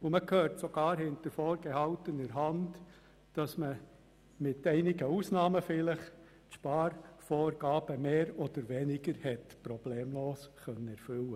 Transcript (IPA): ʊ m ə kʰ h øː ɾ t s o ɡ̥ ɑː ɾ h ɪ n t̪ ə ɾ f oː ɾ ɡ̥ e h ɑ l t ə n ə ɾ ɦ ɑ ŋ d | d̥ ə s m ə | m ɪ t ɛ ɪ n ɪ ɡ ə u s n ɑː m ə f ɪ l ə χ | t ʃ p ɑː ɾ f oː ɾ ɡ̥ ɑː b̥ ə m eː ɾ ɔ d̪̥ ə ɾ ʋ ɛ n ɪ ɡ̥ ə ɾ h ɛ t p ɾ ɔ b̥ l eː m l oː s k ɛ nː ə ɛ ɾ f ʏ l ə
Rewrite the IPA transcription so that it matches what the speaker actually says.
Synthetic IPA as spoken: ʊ m ə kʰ h øː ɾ t s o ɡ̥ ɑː ɾ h ɪ n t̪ ə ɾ f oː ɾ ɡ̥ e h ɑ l t ə n ə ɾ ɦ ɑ n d | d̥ ɑ s m ə | m ɪ t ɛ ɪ n ɪ ɡ ə u s n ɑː m ə f ɪ l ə χ | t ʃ p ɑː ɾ f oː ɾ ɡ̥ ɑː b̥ ə m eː ɾ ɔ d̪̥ ə ɾ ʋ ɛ n ɪ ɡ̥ ə ɾ h ɛ t p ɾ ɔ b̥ l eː m l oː s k œ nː ə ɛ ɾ f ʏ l ə

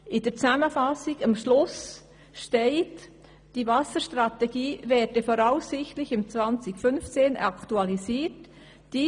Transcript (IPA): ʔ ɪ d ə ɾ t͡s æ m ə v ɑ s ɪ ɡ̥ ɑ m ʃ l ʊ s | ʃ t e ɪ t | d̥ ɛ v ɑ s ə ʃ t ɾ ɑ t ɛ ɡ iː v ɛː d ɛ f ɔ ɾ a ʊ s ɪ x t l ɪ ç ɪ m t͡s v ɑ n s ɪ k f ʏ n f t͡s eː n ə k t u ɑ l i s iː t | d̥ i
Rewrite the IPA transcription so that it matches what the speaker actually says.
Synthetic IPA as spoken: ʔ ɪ d ə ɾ t͡s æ m ə f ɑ s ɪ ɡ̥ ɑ m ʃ l ʊ s | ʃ t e ɪ t | d̥ i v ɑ s ə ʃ t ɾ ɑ t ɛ ɡ iː v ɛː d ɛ f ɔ ɾ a ʊ s ɪ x t l ɪ ç ɪ m t͡s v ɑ n t͡s ɪ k f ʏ n f t͡s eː n ɑ k t u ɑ l i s iː t | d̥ i

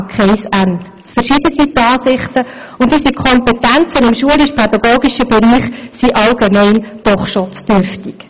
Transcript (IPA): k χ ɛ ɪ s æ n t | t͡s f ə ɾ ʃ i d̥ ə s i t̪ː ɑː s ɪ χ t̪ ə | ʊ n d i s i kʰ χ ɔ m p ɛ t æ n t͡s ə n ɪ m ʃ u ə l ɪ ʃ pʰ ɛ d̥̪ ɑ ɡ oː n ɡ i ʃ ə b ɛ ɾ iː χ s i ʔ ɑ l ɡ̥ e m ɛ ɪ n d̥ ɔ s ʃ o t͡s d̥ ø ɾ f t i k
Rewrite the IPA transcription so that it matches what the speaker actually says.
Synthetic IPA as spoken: k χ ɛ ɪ s æ n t | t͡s f ə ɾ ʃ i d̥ ə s i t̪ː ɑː s ɪ χ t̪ ə | ʊ n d y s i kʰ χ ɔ m p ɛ t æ n t͡s ə n ɪ m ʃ u ə l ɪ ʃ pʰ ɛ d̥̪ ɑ ɡ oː ɡ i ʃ ə b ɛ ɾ iː χ s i ʔ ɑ l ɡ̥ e m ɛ ɪ n d̥ ɔ χ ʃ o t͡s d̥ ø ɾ f t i k

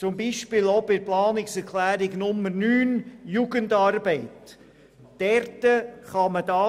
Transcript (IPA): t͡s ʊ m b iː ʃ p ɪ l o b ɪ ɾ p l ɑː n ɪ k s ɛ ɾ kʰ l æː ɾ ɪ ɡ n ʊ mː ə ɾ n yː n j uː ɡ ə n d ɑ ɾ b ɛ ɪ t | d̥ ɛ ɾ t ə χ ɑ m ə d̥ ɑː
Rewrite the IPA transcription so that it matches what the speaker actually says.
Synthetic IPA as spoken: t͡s ʊ m b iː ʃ p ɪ l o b ɪ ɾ p l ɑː n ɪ k s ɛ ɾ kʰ l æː ɾ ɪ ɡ n ʊ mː ə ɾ n yː n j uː ɡ ə n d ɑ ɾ b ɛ ɪ t | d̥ ɛ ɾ t ə χ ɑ m ə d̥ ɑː

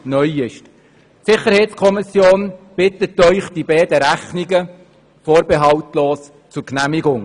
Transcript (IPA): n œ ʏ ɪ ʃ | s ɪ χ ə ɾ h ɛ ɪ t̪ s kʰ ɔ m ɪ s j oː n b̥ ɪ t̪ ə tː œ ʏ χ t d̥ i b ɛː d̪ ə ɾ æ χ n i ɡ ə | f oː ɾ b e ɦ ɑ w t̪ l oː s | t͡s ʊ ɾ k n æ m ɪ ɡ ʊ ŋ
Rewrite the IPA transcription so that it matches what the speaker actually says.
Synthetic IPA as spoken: n œ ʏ ɪ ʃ | s ɪ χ ə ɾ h ɛ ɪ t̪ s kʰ ɔ m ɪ s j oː n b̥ ɪ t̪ ə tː œ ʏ χ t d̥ i b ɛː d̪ ə ɾ æ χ n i ɡ ə | f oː ɾ b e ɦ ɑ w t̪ l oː s | t͡s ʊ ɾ k n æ m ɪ ɡ ʊ ŋ

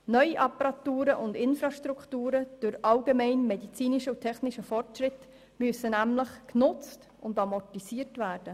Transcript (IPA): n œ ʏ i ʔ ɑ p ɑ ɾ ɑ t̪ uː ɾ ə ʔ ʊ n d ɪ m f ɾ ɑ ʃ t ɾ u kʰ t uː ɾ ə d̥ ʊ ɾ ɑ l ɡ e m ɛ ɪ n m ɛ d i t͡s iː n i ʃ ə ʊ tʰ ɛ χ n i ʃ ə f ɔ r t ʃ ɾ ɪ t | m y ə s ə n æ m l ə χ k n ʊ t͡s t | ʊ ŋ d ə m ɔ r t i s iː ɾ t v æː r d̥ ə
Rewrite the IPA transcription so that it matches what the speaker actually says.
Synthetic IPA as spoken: n œ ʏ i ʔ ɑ p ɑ ɾ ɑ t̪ uː ɾ ə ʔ ʊ n d ɪ n f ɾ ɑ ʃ t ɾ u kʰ t uː ɾ ə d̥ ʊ ɾ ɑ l ɡ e m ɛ ɪ n m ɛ d i t͡s iː n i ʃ ə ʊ tʰ ɛ χ n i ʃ ə f ɔ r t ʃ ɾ ɪ t | m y ə s ə n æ m l ə χ k n ʊ t͡s t | ʊ n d ɑ m ɔ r t i s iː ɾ t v æː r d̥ ə

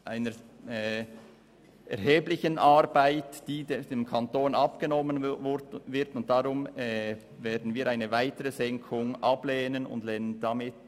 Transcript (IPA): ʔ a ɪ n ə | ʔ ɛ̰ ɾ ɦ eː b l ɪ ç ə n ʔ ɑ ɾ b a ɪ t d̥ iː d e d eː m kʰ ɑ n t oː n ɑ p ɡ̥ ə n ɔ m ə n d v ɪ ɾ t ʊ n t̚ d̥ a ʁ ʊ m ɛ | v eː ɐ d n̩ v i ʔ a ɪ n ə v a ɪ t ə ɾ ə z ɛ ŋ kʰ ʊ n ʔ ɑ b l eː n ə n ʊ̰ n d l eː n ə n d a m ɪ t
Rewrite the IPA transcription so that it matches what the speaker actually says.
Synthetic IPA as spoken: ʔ a ɪ n ə | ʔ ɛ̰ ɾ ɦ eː b l ɪ ç ə n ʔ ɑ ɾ b a ɪ t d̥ iː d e d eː m kʰ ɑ n t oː n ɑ p ɡ̥ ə n ɔ m ə n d v ɪ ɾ t ʊ n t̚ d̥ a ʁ ʊ m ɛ | v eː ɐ d n̩ v iː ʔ a ɪ n ə v a ɪ t ə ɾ ə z ɛ ŋ kʰ ʊ ŋ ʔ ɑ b l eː n ə n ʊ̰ n d l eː n ə n d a m ɪ t

